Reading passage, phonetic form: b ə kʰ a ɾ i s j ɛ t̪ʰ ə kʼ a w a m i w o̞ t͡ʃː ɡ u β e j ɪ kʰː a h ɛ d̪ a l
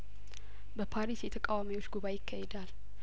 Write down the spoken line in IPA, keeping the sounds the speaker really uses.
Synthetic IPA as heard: b ə pʰ a ɾ i s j ɛ t̪ʰ ə kʼ a w a m i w o̞ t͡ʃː ɡ u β a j ɪ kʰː a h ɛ d̪ a l